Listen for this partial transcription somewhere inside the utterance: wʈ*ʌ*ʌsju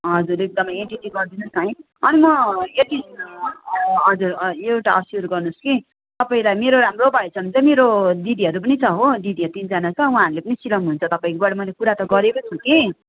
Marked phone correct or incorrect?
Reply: incorrect